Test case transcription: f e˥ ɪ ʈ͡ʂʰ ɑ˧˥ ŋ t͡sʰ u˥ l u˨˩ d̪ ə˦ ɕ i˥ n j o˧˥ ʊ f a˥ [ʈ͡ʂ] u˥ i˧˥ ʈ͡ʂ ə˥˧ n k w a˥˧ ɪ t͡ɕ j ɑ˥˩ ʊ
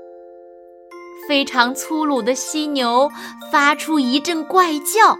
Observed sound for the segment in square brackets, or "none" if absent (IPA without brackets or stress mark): ʈ͡ʂʰ